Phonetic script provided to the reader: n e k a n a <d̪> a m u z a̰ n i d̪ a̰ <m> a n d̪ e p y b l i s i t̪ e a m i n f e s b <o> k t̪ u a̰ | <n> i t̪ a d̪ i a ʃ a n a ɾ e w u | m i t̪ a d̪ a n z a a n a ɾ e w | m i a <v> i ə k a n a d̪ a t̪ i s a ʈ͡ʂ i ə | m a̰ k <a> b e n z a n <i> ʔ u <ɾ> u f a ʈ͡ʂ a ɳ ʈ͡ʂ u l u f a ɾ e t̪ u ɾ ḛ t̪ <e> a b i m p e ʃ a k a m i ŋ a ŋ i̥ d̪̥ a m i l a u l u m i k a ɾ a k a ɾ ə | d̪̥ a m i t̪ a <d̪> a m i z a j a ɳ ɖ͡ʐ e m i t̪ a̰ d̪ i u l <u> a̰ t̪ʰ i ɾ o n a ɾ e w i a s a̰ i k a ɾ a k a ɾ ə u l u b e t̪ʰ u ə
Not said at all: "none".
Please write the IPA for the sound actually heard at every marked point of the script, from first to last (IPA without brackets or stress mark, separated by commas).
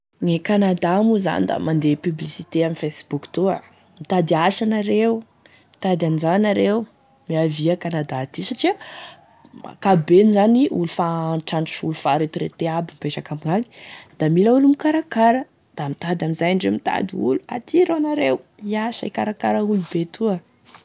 d̪, m, u, m, v, a, i, l, e, d̪, u